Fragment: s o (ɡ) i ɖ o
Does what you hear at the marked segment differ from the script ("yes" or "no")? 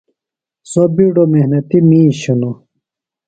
yes